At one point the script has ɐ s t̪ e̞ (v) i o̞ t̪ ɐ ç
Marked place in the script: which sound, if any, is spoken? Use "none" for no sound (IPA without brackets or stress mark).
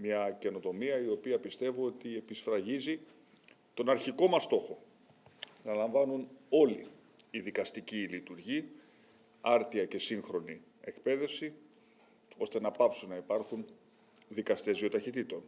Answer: z